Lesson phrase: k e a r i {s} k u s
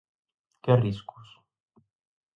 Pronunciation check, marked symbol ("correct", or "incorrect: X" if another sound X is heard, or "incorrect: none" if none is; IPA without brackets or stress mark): correct